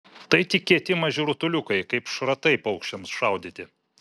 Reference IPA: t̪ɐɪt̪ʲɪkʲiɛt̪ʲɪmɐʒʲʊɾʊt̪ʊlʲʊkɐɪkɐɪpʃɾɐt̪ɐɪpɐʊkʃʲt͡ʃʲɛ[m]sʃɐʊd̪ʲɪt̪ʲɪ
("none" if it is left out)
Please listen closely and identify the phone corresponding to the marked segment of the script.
m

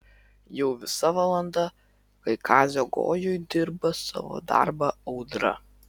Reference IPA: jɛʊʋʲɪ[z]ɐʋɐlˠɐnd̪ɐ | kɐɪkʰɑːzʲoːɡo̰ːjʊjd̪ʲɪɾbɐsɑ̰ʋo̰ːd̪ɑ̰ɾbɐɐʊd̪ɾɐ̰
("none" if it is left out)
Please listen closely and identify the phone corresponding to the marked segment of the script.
s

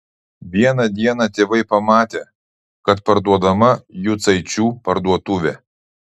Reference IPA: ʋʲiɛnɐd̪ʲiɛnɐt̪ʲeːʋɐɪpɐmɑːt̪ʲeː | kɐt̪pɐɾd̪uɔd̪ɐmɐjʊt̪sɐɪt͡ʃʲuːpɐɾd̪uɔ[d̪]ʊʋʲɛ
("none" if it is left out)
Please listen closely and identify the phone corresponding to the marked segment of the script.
t̪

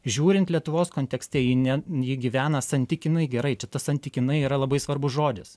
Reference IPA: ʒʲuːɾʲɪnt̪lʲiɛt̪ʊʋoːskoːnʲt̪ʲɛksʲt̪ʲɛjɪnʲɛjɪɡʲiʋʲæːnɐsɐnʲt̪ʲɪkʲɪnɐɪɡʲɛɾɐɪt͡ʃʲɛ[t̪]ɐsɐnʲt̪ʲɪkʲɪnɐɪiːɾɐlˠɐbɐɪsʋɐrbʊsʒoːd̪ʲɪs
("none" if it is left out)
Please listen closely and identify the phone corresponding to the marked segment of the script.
t̪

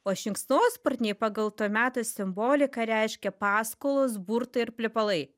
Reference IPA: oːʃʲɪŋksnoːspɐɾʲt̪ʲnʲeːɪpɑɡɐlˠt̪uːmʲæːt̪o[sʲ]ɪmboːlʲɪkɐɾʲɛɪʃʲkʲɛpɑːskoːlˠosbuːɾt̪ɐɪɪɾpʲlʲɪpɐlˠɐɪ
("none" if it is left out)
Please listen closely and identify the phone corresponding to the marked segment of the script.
sʲ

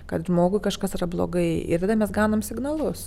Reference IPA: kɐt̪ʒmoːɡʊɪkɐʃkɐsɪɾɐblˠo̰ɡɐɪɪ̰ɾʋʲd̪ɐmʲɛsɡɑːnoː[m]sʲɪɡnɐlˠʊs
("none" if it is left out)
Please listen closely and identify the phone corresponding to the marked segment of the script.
m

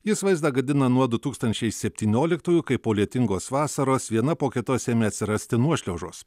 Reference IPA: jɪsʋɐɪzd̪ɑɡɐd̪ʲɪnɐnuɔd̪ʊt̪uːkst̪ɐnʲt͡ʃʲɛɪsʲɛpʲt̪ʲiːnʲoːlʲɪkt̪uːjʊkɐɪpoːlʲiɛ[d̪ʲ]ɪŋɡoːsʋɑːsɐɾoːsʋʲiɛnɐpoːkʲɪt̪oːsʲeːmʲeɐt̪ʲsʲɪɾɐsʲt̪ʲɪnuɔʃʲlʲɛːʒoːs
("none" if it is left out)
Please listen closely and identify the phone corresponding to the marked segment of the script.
t̪ʲ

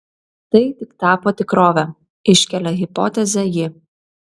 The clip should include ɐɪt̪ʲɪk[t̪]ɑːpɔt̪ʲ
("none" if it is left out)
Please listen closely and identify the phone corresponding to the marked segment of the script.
t̪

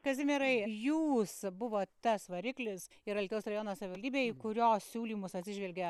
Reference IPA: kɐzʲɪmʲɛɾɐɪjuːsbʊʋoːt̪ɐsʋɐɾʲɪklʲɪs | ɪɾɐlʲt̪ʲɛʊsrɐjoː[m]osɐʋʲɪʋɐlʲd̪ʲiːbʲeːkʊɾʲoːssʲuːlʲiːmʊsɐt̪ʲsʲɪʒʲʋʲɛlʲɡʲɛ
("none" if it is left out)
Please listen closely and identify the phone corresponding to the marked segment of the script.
n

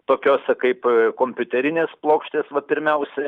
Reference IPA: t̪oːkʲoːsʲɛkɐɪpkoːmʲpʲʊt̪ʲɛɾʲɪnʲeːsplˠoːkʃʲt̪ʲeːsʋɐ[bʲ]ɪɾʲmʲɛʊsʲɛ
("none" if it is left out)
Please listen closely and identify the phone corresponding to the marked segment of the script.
pʲ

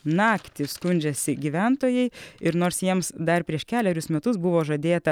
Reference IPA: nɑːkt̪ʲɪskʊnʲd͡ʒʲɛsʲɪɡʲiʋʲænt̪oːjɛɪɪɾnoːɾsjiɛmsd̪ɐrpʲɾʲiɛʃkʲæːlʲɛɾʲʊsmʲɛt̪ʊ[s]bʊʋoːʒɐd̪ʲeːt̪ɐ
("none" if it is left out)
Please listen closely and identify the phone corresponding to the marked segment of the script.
s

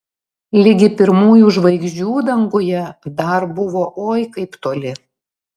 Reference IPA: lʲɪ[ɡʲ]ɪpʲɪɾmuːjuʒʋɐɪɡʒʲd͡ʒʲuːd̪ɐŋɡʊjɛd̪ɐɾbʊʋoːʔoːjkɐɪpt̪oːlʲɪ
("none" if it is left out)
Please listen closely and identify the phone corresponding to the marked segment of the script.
ɡʲ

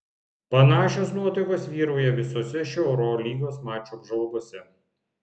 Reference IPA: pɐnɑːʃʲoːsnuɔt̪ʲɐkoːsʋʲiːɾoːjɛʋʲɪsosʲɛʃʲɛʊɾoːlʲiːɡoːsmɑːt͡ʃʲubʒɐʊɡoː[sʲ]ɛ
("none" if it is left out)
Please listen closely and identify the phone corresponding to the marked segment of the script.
sʲ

